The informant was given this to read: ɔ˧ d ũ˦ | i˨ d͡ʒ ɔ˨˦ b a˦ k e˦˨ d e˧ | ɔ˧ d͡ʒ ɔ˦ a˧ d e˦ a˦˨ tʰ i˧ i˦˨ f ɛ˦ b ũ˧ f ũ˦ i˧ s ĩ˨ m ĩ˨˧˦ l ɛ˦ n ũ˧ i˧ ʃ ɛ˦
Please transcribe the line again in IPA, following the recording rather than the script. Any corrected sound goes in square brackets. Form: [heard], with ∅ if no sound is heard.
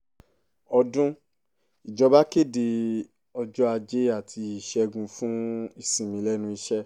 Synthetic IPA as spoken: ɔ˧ d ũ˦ | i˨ d͡ʒ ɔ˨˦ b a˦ k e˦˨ d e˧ | ɔ˧ d͡ʒ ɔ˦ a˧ [d͡ʒ] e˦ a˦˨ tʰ i˧ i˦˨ [ʃ] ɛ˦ [ɡ] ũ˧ f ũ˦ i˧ s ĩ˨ m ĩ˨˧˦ l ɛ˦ n ũ˧ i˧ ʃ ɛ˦